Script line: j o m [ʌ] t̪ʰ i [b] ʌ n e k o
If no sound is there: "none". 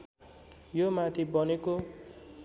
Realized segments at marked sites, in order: a, b

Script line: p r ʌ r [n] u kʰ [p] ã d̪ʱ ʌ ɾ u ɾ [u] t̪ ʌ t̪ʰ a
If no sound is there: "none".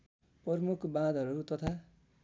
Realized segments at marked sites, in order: m, b, u

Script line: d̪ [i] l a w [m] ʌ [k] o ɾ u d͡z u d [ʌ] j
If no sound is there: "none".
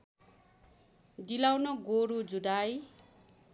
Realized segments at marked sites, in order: i, n, ɡ, a

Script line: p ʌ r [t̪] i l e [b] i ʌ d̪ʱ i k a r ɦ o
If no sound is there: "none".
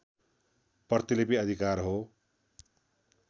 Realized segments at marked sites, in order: t̪, p

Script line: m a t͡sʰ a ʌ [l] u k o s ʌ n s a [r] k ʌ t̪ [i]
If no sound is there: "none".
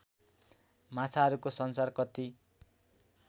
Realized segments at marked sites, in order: ɾ, r, i

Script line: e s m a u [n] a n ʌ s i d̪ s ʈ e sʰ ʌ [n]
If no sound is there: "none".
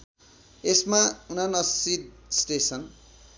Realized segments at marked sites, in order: n, n

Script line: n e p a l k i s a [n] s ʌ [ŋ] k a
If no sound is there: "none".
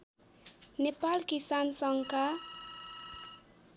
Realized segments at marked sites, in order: n, ŋ

